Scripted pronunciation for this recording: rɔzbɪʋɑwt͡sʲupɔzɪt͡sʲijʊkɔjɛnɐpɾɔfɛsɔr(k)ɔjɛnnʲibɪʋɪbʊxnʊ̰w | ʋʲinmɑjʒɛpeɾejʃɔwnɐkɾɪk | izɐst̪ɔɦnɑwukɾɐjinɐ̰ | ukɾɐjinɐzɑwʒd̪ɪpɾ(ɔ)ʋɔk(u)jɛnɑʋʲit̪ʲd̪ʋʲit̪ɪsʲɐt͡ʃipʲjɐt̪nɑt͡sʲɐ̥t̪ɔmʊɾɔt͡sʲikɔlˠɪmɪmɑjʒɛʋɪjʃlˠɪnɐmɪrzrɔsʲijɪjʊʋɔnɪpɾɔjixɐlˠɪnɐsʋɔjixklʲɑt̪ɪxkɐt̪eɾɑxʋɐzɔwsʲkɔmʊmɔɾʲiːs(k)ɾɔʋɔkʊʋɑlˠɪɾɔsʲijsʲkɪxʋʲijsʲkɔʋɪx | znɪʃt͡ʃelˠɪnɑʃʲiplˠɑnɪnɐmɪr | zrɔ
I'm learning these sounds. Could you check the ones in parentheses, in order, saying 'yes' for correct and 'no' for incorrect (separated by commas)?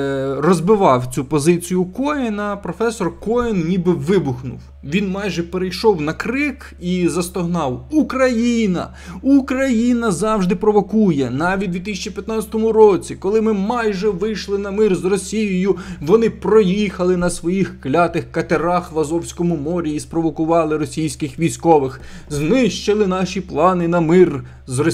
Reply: yes, yes, yes, no